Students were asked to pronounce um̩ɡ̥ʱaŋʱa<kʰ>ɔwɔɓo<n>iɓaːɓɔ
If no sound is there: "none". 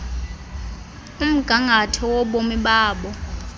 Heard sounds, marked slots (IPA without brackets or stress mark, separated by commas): tʰ, m